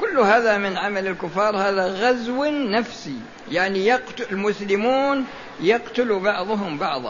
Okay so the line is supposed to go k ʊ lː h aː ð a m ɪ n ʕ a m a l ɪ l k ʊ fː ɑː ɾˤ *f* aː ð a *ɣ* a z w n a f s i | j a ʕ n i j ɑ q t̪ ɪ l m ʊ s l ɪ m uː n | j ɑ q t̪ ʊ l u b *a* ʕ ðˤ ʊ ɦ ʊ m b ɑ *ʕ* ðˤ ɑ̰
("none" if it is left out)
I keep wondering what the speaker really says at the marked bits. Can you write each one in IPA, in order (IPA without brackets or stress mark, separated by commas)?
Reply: h, ɣ, ɑ, ʕ